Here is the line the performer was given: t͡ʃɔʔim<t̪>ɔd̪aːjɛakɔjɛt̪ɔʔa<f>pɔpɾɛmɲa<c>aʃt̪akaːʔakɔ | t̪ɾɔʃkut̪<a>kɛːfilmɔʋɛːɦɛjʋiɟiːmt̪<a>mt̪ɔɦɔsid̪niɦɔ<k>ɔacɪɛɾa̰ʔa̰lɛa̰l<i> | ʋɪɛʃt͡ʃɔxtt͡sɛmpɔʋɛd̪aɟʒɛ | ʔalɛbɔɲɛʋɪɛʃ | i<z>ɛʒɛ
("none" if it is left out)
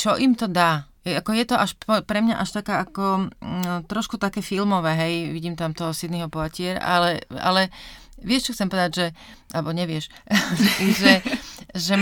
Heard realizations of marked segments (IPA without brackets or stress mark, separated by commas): t̪, ʃ, ʔ, a, a, p, ɛ, ʒ